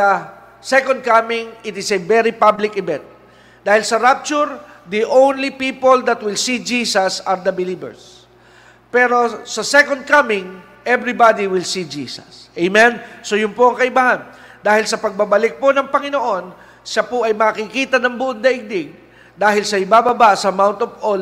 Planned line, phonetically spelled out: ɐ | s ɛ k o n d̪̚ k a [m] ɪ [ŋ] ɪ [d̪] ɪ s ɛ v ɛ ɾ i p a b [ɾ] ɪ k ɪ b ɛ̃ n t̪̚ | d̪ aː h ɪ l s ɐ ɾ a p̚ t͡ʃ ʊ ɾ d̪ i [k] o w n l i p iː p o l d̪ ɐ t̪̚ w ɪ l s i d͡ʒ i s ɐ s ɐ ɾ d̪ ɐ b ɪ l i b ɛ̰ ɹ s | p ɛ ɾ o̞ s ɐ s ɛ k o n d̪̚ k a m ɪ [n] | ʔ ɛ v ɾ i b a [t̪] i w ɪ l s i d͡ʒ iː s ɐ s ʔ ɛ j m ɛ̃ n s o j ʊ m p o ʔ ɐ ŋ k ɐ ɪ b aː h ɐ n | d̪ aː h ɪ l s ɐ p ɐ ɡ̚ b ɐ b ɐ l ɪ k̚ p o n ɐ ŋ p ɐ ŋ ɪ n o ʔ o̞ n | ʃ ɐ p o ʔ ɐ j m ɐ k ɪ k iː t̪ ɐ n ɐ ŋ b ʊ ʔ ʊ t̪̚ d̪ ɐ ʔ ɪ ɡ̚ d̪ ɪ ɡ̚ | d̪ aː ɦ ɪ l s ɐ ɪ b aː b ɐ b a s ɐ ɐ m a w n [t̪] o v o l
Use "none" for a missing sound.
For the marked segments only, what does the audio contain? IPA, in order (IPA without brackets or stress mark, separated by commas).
m, ŋ, t̪, l, ʔ, ŋ, d̪, t̪